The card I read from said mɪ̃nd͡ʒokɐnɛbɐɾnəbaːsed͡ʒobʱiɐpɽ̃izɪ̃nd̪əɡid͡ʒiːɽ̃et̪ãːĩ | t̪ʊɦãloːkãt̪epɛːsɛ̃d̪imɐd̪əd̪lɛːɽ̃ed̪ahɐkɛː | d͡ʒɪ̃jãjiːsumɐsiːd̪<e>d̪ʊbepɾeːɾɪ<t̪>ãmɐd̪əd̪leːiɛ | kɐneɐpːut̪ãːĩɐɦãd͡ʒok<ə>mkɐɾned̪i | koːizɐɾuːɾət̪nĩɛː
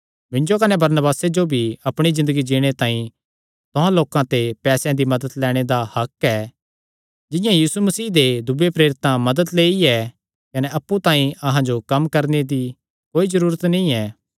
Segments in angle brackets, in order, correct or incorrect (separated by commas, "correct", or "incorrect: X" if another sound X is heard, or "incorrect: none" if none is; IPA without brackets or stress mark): correct, correct, incorrect: ɐ